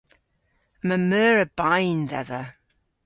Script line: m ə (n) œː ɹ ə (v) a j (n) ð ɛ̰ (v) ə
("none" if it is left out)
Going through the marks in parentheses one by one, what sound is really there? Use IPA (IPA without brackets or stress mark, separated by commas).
m, b, n, ð